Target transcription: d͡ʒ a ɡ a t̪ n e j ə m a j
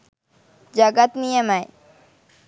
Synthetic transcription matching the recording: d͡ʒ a ɡ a t̪ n i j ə m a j